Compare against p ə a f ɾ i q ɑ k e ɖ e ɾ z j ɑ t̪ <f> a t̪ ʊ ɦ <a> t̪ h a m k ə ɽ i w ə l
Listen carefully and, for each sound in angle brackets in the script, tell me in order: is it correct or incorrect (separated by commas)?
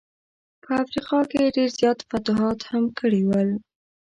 correct, incorrect